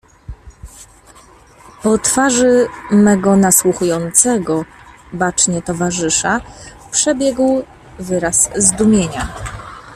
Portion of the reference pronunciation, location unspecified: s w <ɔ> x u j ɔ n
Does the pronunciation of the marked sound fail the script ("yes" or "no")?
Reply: yes